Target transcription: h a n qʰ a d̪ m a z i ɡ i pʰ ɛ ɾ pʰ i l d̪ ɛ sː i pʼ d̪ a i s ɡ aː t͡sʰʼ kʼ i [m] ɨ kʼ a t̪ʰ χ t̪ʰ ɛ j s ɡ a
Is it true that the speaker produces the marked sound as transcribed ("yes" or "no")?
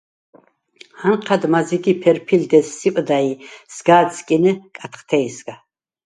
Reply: no